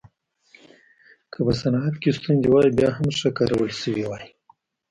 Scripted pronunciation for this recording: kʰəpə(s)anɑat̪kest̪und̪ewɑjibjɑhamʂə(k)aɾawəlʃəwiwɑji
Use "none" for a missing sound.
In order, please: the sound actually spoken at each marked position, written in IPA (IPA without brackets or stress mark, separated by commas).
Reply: s, k